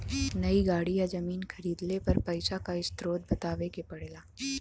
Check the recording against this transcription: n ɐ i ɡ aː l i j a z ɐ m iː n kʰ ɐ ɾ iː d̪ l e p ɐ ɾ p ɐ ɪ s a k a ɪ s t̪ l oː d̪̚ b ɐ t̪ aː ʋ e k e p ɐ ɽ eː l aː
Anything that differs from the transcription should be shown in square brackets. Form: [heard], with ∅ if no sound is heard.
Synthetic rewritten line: n ɐ i ɡ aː [ɽ] i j a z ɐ m iː n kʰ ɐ ɾ iː d̪ l e p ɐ ɾ p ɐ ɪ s a k a ɪ s t̪ [ɾ] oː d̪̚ b ɐ t̪ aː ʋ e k e p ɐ ɽ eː l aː